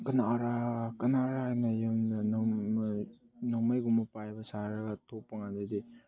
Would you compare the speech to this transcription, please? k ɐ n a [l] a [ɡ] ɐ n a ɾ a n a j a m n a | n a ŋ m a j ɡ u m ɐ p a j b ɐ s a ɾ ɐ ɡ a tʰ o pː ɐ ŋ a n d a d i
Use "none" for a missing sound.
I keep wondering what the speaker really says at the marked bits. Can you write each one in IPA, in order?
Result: ɾ, k

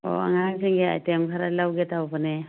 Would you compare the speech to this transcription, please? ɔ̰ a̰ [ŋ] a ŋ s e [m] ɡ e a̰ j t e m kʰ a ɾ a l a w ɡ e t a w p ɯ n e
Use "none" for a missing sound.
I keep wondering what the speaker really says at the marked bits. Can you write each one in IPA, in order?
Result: ŋ, ŋ

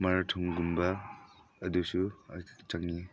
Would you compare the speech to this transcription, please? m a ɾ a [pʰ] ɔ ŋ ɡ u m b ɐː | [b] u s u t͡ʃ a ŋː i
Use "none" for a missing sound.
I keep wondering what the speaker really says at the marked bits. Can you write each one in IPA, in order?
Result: tʰ, d

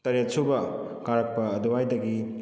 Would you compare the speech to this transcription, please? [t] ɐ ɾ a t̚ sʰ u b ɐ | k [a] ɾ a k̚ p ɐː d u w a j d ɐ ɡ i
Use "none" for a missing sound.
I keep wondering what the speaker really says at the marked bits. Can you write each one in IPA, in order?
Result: t, a

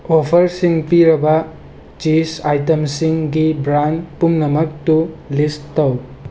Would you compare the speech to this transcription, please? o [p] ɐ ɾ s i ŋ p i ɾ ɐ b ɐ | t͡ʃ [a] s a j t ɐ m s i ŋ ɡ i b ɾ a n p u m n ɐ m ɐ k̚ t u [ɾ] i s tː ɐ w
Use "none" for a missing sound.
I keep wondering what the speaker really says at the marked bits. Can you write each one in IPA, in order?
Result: pʰ, i, l

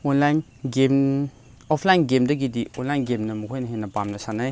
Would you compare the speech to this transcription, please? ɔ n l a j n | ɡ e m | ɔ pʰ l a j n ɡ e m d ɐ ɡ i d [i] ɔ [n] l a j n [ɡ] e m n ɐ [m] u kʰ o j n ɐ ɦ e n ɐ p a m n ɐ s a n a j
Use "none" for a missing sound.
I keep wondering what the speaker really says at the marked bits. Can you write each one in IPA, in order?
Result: i, n, ɡ, m

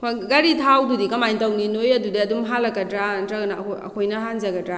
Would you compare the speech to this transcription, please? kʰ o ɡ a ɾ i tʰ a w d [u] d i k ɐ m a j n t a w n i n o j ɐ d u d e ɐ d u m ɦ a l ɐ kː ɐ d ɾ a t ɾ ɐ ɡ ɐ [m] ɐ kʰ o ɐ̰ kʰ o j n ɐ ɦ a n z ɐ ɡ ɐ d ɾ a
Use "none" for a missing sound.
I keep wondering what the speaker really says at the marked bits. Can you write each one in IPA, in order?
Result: u, n

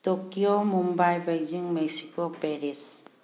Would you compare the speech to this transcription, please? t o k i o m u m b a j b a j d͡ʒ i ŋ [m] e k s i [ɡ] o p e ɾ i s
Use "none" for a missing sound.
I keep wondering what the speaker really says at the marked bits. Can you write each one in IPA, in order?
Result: m, k

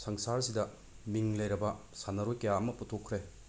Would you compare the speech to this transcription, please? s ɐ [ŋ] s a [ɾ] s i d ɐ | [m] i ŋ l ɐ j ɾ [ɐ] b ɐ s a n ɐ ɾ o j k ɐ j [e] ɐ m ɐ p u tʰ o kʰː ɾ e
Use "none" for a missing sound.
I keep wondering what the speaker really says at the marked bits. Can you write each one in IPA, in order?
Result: ŋ, ɾ, m, ɐ, a

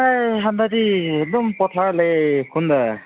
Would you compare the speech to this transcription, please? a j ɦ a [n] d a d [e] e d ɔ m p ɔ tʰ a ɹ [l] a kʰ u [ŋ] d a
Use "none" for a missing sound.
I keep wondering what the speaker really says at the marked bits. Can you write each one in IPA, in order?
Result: n, i, l, n

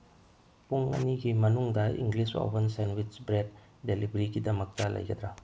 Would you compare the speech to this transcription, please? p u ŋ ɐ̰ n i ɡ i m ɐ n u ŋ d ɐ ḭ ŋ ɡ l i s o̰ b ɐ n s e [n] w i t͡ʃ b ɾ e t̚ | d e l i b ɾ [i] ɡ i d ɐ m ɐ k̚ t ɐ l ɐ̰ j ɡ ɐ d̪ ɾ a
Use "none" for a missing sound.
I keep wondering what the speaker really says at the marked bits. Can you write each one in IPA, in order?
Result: n, i

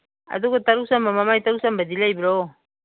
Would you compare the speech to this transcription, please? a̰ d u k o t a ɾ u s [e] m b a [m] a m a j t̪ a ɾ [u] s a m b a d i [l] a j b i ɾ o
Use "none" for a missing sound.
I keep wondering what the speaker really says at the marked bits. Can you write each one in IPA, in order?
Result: a, m, u, l

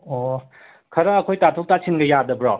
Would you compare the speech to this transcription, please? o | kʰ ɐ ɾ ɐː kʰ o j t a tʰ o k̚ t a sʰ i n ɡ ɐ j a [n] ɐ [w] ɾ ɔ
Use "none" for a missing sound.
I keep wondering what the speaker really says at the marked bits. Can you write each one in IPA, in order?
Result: d, b

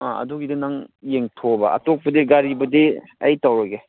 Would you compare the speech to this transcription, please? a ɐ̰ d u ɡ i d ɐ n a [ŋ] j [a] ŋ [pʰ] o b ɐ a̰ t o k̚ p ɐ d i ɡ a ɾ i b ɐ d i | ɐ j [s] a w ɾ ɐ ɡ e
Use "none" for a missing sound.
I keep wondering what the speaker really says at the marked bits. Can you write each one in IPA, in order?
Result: ŋ, e, tʰ, t

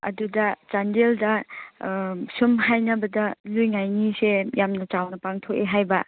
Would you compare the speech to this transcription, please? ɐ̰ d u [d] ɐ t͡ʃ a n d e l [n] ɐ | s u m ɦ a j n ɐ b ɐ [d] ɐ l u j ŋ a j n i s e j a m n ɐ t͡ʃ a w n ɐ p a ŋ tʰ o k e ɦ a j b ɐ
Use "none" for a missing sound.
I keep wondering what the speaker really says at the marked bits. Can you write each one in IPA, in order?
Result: d, d, d

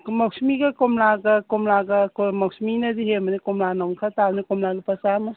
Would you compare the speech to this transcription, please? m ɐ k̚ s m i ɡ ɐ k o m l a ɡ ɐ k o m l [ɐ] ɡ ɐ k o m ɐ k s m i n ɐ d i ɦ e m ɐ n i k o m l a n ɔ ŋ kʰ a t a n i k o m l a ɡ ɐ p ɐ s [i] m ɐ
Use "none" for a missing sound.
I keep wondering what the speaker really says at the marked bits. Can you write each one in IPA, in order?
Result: a, a

